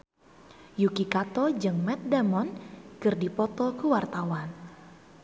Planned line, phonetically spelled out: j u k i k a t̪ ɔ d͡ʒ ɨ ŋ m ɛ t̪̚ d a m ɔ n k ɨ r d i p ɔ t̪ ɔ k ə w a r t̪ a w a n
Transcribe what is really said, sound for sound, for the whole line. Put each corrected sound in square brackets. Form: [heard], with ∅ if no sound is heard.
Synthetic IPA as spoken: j u k i k a t̪ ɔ d͡ʒ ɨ ŋ m ɛ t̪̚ d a m ɔ n k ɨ r d i p ɔ t̪ ɔ k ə w a r t̪ a w a n

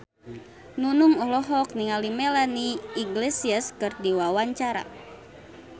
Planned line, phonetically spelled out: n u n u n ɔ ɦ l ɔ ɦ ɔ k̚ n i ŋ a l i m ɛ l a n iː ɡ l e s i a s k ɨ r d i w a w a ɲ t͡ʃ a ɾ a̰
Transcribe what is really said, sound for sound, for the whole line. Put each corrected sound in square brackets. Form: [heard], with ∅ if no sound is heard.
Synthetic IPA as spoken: n u n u [ŋ] ɔ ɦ l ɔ ɦ ɔ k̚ n i ŋ a l i m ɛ l a n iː ɡ l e s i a s k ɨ r d i w a w a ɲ t͡ʃ a ɾ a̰

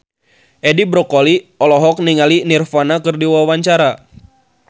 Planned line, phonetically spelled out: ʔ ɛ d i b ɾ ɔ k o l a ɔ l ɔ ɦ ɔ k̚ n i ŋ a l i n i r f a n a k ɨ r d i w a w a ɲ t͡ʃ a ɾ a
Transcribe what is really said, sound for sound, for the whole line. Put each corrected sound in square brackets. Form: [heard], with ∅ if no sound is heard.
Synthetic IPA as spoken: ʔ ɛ d i b ɾ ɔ k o l [i] ɔ l ɔ ɦ ɔ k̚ n i ŋ a l i n i r f a n a k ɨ r d i w a w a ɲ t͡ʃ a ɾ a

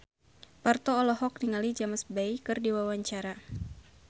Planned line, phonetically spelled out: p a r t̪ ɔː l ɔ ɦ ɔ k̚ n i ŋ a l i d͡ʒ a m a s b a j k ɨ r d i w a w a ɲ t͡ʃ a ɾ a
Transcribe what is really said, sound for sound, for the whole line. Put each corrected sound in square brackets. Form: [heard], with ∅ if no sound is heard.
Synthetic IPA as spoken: p a r t̪ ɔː l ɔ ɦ ɔ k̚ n i ŋ a l i d͡ʒ a m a s b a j k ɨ r d i w a w a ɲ t͡ʃ a ɾ a

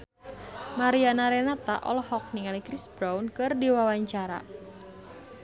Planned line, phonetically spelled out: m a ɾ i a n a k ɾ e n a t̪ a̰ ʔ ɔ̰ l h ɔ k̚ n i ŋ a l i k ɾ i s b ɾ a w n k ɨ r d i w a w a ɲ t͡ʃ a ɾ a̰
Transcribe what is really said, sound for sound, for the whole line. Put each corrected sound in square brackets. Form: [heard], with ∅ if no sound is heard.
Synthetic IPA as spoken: m a ɾ i a n a [∅] ɾ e n a t̪ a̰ ʔ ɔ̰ l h ɔ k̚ n i ŋ a l i k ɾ i s b ɾ a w n k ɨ r d i w a w a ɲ t͡ʃ a ɾ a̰

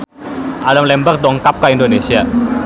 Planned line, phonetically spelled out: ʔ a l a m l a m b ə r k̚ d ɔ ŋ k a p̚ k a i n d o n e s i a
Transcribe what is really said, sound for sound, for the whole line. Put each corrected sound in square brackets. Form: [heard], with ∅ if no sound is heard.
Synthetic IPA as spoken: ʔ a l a m l [ɛ] m b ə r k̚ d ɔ ŋ k a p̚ k a i n d o n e s i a

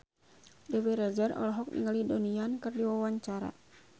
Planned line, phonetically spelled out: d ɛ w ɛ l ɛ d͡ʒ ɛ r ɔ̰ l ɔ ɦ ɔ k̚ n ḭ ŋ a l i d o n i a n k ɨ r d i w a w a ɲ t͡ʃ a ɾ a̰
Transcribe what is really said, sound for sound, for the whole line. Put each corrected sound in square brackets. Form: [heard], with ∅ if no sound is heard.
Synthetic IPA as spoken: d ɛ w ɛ [ɾ] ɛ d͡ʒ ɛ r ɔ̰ l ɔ ɦ ɔ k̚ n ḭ ŋ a l i d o n i a n k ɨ r d i w a w a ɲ t͡ʃ a ɾ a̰

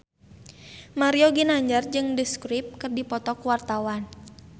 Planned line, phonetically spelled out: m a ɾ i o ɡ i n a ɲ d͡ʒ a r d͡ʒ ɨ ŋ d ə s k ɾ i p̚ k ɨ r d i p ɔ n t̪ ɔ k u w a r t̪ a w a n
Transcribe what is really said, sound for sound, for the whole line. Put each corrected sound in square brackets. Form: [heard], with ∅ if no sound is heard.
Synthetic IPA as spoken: m a ɾ i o ɡ i n a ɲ d͡ʒ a r d͡ʒ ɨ ŋ d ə s k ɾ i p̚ k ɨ r d i p ɔ [∅] t̪ ɔ k u w a r t̪ a w a n

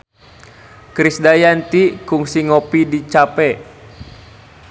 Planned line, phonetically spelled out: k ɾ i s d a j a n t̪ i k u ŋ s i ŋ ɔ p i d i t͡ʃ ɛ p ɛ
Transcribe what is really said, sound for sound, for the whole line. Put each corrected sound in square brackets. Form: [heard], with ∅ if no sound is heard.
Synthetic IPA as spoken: k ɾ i s d a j a n t̪ i k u ŋ s i ŋ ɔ p i d i t͡ʃ [a] p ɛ

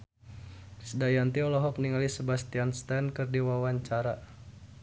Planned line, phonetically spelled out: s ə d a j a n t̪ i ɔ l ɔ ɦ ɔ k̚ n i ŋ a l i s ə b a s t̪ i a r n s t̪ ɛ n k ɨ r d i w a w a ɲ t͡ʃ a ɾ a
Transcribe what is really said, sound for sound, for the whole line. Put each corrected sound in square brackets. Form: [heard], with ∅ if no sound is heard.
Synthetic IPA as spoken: s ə d a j a n t̪ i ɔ l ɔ ɦ ɔ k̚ n i ŋ a l i s ə b a s t̪ i a [∅] n s t̪ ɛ n k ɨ r d i w a w a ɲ t͡ʃ a ɾ a

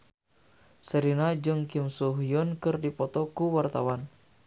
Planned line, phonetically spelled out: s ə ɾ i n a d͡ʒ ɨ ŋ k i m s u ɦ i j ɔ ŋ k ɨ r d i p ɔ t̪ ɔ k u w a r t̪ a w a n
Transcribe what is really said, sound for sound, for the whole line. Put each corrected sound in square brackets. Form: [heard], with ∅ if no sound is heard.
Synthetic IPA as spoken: s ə ɾ i n a d͡ʒ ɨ ŋ k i m s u ɦ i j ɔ [n] k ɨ r d i p ɔ t̪ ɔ k u w a r t̪ a w a n

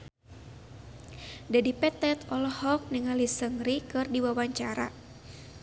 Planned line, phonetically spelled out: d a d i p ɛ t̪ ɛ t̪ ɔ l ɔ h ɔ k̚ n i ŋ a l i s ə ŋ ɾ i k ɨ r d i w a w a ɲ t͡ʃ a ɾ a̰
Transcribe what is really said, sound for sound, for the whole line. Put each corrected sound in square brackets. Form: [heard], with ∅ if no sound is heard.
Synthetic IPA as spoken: d a d i p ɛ t̪ ɛ t̪ ɔ l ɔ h ɔ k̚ n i ŋ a l i s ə ŋ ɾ i k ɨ r d i w a w a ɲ t͡ʃ a ɾ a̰

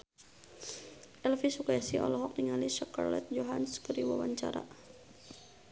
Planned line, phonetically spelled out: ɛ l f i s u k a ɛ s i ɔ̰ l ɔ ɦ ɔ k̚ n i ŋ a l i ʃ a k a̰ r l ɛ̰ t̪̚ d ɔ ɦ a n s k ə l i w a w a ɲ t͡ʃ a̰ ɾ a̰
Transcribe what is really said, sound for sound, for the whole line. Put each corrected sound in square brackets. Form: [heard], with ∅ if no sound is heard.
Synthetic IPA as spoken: ɛ l f i s u k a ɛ s i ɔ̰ l ɔ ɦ ɔ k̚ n i ŋ a l i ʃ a k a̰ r l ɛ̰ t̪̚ [d͡ʒ] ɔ ɦ a n s k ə [ɾ] i w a w a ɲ t͡ʃ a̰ ɾ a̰

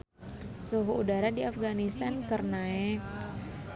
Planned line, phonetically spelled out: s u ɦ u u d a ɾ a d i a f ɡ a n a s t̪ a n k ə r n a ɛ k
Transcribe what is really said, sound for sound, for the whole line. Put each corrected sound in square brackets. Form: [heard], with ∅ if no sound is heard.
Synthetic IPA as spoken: s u ɦ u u d a ɾ a d i a f ɡ a n [i] s t̪ a n k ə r n a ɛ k

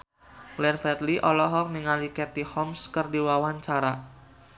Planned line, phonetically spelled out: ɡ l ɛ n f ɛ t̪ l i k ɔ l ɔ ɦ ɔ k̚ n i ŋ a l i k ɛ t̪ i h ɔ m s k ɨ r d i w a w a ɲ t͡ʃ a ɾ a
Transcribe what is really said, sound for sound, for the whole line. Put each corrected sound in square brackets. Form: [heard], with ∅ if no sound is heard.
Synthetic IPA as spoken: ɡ l ɛ n f ɛ t̪ l i [ʔ] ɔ l ɔ ɦ ɔ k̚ n i ŋ a l i k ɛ t̪ i h ɔ m s k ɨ r d i w a w a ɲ t͡ʃ a ɾ a

